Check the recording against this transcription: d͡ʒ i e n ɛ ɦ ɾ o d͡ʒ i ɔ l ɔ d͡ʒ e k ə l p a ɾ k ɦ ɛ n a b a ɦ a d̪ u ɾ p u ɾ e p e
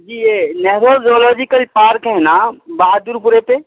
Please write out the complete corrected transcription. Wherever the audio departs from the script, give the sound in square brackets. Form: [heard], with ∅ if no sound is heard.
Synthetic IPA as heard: d͡ʒ i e n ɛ ɦ ɾ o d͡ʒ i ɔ l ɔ d͡ʒ [i] k ə l p a ɾ k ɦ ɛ n a b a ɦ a d̪ u ɾ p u ɾ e p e

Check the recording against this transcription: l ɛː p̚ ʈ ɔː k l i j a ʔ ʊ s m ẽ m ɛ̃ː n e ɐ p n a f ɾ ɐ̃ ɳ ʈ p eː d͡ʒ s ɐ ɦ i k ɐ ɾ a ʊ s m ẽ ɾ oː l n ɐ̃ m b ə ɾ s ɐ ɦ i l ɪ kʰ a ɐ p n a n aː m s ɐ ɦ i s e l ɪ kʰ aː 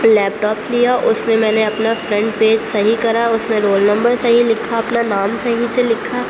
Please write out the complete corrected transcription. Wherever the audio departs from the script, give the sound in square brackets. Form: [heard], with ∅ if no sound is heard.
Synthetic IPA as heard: l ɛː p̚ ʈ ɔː [p] l i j a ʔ ʊ s m ẽ m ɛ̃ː n e ɐ p n a f ɾ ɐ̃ ɳ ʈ p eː d͡ʒ s ɐ ɦ i k ɐ ɾ a ʊ s m ẽ ɾ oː l n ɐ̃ m b ə ɾ s ɐ ɦ i l ɪ kʰ a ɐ p n a n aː m s ɐ ɦ i s e l ɪ kʰ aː

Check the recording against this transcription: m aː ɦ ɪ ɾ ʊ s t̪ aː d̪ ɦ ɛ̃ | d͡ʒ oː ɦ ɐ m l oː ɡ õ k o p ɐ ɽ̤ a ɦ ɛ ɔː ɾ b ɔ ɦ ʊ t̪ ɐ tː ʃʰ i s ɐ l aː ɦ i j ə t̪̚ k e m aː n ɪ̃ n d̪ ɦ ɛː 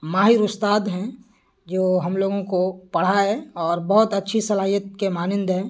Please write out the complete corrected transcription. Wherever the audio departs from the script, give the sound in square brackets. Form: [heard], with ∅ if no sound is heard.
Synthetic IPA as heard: m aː ɦ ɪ ɾ ʊ s t̪ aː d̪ ɦ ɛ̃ | d͡ʒ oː ɦ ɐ m l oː ɡ õ k o p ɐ ɽ̤ a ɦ ɛ ɔː ɾ b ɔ ɦ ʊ t̪ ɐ tː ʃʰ i s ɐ l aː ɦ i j ə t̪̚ k e m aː n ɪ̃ n d̪ ɦ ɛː

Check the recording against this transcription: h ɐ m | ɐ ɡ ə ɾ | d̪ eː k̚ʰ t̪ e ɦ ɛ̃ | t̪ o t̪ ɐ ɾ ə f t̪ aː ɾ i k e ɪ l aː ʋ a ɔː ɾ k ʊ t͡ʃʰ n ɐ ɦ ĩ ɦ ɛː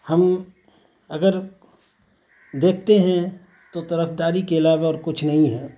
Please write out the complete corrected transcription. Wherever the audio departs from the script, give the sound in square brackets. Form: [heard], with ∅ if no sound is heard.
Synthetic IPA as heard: h ɐ m | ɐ ɡ ə ɾ | d̪ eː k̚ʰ t̪ e ɦ ɛ̃ | t̪ o t̪ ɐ ɾ ə f [d̪] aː ɾ i k e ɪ l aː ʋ a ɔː ɾ k ʊ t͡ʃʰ n ɐ ɦ ĩ ɦ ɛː

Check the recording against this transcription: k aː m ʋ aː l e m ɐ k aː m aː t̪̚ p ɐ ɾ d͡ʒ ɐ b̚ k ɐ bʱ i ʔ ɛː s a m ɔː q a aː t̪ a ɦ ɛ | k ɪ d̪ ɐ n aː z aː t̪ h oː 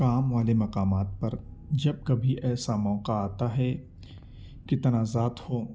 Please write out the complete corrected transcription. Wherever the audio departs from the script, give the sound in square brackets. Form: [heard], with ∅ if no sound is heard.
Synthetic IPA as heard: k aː m ʋ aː l e m ɐ [q] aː m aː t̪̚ p ɐ ɾ d͡ʒ ɐ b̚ k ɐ bʱ i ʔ ɛː s a m ɔː q a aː t̪ a ɦ ɛ | k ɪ [t̪] ɐ n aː z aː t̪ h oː

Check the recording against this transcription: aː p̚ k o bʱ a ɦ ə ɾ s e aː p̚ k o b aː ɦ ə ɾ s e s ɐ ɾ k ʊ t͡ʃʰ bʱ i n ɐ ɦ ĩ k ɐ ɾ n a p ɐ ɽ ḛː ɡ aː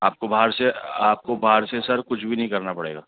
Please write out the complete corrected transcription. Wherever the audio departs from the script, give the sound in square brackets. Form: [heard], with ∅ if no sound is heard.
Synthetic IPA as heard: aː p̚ k o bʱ a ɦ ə ɾ s e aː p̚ k o b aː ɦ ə ɾ s e s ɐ ɾ k ʊ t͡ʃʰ bʱ i n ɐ ɦ ĩ k ɐ ɾ n a p ɐ ɽ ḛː ɡ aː

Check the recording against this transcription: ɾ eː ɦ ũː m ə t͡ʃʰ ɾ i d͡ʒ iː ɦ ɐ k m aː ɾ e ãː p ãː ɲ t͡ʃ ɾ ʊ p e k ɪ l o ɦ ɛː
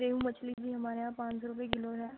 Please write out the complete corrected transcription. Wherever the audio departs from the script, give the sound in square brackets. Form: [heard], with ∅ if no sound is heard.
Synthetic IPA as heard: ɾ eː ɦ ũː m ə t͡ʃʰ [l] i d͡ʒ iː ɦ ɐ [∅] m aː ɾ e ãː p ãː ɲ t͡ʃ ɾ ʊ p e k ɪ l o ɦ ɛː

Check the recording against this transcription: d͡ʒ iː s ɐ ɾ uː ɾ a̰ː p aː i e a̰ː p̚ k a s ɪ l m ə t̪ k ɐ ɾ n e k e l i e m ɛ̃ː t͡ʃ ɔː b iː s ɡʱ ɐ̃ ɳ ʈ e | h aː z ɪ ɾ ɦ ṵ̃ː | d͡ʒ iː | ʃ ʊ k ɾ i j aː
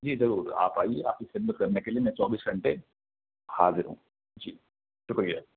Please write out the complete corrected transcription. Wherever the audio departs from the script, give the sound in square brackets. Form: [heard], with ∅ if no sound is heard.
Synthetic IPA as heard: d͡ʒ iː [z] ɐ ɾ uː ɾ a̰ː p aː i e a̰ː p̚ k [i] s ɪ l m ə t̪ k ɐ ɾ n e k e l i e m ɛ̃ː t͡ʃ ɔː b iː s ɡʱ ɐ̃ ɳ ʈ e | h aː z ɪ ɾ ɦ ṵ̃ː | d͡ʒ iː | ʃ ʊ k ɾ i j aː

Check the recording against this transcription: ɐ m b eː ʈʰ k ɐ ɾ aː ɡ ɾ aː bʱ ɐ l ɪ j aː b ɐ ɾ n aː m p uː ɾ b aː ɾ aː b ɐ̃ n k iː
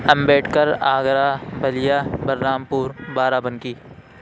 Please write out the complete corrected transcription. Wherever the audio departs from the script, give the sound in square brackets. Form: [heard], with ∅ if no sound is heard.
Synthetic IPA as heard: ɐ m b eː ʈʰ k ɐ ɾ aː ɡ ɾ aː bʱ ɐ l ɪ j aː b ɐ ɾ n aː m p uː ɾ b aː ɾ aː b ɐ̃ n k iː

